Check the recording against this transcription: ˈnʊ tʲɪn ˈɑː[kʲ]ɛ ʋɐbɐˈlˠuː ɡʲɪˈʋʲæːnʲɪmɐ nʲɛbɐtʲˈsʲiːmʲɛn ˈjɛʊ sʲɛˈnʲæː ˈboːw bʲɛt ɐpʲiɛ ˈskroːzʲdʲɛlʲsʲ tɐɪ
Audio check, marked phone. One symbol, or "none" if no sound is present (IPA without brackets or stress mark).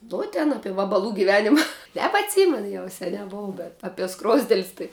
pʲ